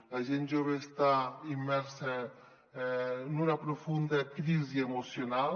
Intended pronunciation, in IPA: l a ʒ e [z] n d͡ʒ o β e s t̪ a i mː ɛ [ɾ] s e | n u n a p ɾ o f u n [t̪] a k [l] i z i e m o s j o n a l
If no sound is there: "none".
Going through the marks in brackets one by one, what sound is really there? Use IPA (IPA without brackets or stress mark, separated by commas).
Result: none, ɾ, d̪, ɾ